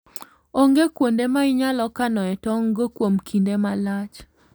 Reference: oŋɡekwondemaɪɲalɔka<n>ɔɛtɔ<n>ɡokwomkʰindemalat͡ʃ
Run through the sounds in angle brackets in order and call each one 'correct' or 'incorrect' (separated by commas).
correct, incorrect